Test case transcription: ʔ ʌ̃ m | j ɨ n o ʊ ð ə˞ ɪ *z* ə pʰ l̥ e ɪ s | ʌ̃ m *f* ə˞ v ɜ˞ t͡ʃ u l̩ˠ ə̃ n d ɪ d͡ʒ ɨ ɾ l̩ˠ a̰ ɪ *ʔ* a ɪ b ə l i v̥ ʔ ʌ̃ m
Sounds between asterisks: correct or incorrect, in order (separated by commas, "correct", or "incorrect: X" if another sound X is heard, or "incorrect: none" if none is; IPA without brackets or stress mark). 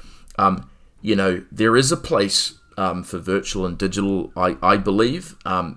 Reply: correct, correct, correct